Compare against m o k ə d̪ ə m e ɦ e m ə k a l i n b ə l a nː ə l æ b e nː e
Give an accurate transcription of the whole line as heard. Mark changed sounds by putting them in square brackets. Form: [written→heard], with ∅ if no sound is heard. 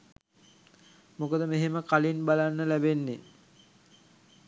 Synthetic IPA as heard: m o k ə d̪ ə m e ɦ e m ə k a l i n b [ə→a] l a nː ə l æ b e nː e